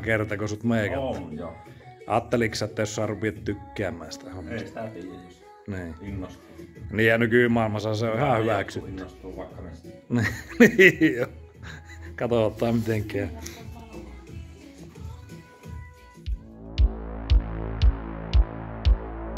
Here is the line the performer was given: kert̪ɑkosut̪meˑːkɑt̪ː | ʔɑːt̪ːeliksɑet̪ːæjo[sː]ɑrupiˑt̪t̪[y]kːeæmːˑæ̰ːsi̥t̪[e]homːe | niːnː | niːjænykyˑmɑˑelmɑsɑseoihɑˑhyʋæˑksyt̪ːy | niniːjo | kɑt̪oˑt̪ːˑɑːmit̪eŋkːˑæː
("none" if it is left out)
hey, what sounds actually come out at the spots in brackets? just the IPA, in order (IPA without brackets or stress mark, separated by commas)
sː, y, æ